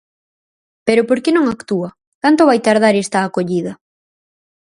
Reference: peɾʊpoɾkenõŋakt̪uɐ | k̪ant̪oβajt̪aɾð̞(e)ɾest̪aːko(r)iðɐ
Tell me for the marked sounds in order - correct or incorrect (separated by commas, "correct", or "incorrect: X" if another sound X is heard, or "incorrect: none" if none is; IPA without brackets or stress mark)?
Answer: incorrect: a, incorrect: ʎ